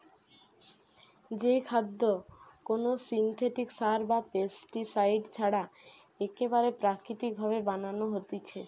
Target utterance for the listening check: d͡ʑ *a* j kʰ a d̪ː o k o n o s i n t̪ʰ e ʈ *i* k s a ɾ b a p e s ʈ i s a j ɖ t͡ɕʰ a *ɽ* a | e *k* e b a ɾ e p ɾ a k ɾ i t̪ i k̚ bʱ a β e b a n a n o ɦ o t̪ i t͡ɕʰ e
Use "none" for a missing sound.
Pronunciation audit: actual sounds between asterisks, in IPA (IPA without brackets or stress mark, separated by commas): e, i, ɽ, k